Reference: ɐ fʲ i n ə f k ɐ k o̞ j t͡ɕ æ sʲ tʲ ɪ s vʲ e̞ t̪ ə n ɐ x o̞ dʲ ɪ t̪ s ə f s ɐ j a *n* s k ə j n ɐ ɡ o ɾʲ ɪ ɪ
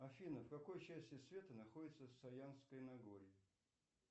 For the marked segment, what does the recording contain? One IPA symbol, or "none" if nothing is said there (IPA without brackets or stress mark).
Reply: n